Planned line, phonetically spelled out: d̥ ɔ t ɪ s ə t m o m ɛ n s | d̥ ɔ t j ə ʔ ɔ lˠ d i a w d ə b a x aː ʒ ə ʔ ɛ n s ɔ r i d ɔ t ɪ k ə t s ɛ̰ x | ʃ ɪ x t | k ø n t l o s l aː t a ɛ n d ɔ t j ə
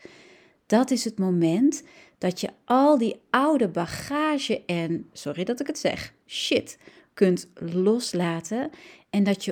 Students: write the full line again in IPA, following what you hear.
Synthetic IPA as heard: d̥ ɔ t ɪ s ə t m o m ɛ n t | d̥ ɔ t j ə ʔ ɔ lˠ d i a w d ə b a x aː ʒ ə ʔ ɛ n s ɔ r i d ɔ t ɪ k ə t s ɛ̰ x | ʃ ɪ t | k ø n t l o s l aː t ə ɛ n d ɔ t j ə